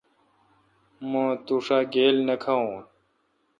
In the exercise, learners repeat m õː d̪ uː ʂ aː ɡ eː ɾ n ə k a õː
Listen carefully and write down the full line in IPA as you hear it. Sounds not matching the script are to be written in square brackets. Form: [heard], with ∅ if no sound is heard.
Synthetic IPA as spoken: m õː [t̪] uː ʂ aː ɡ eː [l] n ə [kʰ] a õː